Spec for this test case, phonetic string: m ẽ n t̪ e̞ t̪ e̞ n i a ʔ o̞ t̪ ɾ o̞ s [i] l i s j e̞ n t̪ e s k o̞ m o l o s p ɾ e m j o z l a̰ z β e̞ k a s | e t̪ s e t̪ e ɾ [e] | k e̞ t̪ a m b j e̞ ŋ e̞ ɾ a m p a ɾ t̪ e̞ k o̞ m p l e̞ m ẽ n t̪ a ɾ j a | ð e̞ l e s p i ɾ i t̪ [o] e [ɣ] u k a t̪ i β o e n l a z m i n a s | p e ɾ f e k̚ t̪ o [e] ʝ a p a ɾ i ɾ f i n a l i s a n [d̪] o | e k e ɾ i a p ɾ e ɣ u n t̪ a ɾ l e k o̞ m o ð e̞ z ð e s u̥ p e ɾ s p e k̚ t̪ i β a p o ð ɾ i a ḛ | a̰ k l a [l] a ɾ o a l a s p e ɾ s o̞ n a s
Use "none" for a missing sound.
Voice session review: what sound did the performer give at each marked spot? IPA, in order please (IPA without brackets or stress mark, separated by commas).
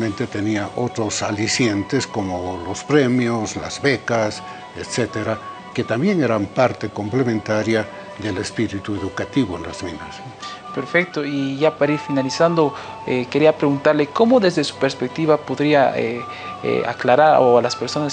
a, a, u, ð, i, d̪, ɾ